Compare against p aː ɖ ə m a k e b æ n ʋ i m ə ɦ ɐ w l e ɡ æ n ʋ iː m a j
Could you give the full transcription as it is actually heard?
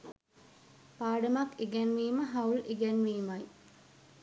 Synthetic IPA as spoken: p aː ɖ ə m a k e ɡ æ n ʋ iː m ə ɦ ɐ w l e ɡ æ n ʋ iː m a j